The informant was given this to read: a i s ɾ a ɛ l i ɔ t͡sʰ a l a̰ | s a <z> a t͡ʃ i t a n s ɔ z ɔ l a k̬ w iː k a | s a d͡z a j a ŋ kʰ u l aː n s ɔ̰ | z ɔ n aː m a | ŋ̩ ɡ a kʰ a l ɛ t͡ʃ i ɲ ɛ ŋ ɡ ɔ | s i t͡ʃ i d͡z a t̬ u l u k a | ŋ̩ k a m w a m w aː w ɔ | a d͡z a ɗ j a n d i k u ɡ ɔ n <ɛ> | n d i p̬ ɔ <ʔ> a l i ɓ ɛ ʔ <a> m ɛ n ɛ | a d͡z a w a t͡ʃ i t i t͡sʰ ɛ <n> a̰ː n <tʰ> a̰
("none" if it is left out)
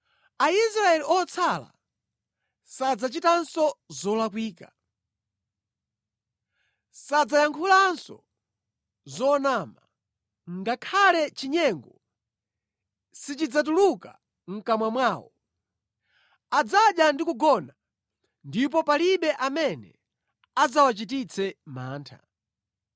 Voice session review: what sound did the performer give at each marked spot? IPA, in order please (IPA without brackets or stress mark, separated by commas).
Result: d͡z, a, p, a, m, tʰ